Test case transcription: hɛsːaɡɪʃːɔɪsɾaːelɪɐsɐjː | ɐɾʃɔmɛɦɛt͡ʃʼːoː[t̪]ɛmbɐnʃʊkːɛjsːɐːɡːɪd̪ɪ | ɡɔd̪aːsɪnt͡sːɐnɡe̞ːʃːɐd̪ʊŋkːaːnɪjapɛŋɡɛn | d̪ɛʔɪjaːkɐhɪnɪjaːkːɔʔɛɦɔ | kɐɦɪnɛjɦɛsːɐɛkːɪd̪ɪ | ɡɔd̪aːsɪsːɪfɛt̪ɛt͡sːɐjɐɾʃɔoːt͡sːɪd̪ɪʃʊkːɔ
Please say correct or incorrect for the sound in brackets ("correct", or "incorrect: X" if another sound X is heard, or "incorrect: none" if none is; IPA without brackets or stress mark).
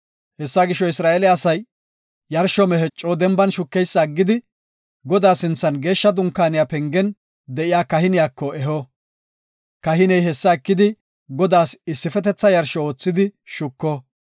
incorrect: d̪